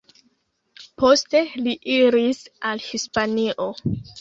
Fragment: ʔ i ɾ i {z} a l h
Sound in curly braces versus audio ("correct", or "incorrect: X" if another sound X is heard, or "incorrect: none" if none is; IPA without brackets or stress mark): incorrect: s